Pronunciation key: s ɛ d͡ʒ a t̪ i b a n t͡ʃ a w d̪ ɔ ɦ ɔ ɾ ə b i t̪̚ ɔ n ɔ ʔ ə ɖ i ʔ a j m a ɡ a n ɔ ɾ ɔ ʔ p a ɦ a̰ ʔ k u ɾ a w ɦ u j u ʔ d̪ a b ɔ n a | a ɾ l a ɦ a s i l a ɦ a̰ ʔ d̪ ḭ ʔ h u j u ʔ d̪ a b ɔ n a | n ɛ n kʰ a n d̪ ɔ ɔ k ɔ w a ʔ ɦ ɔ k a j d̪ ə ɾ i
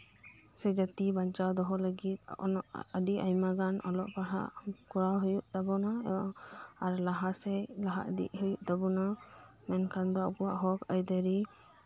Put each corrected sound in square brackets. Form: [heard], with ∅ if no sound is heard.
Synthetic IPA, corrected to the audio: s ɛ d͡ʒ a t̪ i b a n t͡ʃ a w d̪ ɔ ɦ ɔ [l] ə [ɡ] i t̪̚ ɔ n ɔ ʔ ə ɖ i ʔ a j m a ɡ a n ɔ [l] ɔ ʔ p a ɦ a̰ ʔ k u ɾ a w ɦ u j u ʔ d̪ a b ɔ n a | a ɾ l a ɦ a s [ɛ] l a ɦ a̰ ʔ d̪ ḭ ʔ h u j u ʔ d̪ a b ɔ n a | [m] ɛ n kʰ a n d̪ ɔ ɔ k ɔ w a ʔ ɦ ɔ k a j d̪ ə ɾ i